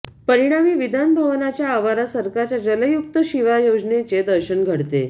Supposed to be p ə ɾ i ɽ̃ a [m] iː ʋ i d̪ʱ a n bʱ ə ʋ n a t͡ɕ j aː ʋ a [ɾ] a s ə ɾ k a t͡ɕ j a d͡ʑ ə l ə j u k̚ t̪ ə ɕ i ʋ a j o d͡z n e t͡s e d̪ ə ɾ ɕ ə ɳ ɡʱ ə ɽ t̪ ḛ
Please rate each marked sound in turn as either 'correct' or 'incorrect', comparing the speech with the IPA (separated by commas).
correct, correct